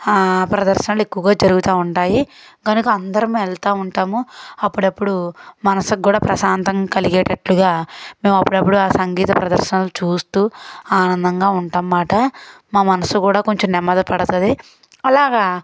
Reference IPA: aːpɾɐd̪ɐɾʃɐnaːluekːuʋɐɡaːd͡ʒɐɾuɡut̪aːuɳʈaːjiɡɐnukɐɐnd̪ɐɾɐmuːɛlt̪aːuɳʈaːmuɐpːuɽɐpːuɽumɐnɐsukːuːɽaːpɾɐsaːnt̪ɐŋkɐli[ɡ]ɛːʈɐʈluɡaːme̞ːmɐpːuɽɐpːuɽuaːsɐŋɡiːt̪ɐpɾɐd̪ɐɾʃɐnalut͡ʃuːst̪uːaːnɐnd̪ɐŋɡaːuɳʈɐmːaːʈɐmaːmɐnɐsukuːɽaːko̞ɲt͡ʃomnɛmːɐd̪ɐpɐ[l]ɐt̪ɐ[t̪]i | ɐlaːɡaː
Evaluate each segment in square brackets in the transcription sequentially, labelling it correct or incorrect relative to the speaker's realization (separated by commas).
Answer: correct, incorrect, incorrect